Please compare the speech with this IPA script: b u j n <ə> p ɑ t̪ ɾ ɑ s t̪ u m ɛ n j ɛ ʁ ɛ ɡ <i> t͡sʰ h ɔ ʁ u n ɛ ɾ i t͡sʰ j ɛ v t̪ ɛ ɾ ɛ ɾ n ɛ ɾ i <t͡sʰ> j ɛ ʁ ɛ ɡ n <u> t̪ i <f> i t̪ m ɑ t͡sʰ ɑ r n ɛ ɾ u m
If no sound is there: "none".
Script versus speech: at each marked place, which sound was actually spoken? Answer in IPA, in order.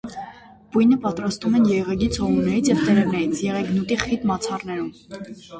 ə, i, t͡sʰ, u, χ

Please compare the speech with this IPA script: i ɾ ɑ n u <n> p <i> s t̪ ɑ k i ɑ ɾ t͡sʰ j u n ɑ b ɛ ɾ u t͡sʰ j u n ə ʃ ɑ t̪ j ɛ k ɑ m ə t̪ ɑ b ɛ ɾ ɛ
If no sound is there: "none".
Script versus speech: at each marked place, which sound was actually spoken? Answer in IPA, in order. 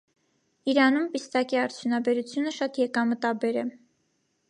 m, i

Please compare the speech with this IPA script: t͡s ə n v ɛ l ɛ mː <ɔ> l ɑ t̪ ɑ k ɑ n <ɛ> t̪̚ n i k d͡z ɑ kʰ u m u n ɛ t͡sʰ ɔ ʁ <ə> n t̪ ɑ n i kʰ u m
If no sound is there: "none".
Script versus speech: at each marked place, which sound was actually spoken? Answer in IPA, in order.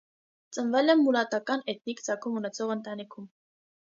u, ɛ, ə

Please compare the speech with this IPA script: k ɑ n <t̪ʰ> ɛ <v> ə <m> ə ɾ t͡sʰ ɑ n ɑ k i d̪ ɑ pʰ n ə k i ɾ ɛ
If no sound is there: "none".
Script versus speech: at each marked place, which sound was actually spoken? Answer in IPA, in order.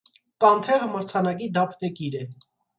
t̪ʰ, ʁ, m

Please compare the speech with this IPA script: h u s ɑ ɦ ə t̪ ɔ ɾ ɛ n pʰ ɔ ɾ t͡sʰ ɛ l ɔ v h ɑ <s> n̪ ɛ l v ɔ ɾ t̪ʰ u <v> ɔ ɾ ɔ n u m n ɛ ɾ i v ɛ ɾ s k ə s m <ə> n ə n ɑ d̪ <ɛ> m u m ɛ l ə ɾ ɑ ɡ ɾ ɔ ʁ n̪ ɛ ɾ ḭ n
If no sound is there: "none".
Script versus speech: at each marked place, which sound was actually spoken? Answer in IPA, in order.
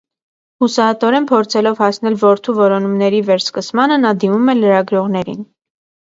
s, v, ɑ, i

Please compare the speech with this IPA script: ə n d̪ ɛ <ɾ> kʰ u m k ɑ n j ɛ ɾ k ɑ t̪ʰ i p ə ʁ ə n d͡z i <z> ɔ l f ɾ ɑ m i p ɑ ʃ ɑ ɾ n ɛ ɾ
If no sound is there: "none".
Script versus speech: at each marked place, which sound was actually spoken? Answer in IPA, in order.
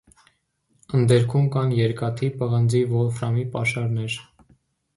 ɾ, v

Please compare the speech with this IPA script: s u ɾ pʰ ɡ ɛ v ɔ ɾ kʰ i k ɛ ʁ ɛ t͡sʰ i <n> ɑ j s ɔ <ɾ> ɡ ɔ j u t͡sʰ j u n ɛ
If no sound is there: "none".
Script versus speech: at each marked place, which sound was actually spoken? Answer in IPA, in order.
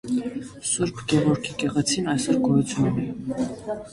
n, ɾ

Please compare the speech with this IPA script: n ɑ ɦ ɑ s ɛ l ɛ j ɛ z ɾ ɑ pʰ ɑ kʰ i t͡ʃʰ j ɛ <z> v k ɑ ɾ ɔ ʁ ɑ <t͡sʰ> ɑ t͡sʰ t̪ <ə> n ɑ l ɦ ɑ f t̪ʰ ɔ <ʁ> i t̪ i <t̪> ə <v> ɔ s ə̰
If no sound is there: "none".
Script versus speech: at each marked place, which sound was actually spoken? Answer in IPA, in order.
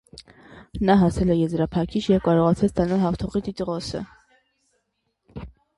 none, t͡sʰ, ɑ, ʁ, t̪, ʁ

